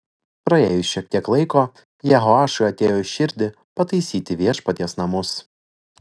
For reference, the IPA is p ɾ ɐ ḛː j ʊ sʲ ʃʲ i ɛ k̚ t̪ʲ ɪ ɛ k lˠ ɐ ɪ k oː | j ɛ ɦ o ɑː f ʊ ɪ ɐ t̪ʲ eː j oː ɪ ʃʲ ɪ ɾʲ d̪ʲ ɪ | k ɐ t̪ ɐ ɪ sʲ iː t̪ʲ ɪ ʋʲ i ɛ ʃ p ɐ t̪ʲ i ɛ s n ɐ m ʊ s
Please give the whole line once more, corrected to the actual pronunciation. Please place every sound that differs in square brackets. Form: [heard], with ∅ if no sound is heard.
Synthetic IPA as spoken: p ɾ ɐ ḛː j ʊ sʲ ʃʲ i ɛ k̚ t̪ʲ [i] ɛ k lˠ ɐ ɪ k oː | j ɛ ɦ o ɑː [ʃ] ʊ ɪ ɐ t̪ʲ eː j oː ɪ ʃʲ ɪ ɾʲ d̪ʲ ɪ | [p] ɐ t̪ ɐ ɪ sʲ iː t̪ʲ ɪ ʋʲ i ɛ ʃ p ɐ t̪ʲ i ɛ s n ɐ m ʊ s